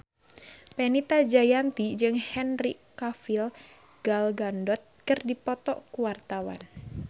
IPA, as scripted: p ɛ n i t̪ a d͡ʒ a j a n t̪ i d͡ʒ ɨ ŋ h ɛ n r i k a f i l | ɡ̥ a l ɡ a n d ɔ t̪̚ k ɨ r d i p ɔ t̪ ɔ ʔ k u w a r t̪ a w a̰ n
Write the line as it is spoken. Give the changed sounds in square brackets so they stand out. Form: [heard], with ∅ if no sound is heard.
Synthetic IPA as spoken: p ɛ n i t̪ a d͡ʒ a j a n t̪ i d͡ʒ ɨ ŋ h ɛ n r i k a f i l | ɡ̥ a l ɡ a n d ɔ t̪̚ k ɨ r d i p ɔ t̪ ɔ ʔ k u w a r t̪ a w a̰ n

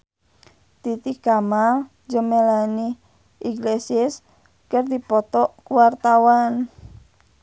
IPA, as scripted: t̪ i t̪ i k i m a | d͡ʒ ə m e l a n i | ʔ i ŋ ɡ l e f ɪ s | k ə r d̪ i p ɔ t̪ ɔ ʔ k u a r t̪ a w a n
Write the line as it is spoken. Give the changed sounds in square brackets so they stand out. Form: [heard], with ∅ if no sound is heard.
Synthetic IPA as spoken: t̪ i t̪ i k [a] m a | d͡ʒ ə m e l a n i | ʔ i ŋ ɡ l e [s] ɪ s | k ə r d̪ i p ɔ t̪ ɔ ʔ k [w] a r t̪ a w a n

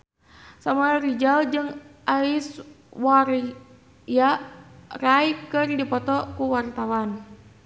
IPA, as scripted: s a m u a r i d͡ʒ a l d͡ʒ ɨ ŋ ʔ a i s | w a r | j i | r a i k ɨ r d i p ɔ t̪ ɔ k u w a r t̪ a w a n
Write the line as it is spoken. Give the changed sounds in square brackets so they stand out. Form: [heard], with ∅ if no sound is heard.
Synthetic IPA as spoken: s a m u a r i d͡ʒ a l d͡ʒ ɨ ŋ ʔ a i s | w a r | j [a] | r a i k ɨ r d i p ɔ t̪ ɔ k u w a r t̪ a w a n

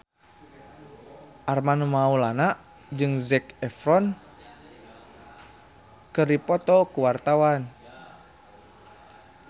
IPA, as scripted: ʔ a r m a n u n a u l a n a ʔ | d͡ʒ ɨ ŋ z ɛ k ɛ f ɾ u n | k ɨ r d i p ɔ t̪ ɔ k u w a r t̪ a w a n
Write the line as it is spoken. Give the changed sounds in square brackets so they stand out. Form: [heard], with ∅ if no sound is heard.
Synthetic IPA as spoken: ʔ a r m a n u [m] a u l a n a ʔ | d͡ʒ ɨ ŋ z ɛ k ɛ f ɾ [ɔ] n | k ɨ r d i p ɔ t̪ ɔ k u w a r t̪ a w a n

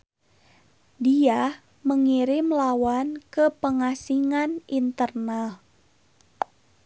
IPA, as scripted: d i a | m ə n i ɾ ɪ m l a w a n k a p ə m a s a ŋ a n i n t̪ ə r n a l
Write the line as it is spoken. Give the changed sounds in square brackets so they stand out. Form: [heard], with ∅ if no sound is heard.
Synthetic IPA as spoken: d i a | m ə [ŋ] i ɾ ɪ m l a w a n k [ə] p ə [ŋ] a s [i] ŋ a n i n t̪ ə r n a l

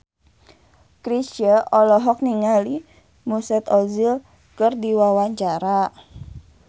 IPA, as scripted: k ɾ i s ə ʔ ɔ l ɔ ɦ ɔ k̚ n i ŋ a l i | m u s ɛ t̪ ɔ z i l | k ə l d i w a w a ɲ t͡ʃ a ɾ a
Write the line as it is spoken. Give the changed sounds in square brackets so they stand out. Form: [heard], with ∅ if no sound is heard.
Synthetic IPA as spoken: k ɾ i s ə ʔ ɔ l ɔ ɦ ɔ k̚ n i ŋ a l i | m u s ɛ t̪ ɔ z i l | k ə [r] d i w a w a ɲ t͡ʃ a ɾ a

